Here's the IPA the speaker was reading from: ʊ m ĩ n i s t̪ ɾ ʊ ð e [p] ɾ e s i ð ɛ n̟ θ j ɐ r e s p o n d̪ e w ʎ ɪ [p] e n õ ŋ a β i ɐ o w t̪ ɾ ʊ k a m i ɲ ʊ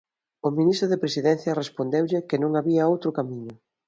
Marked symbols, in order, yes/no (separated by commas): yes, no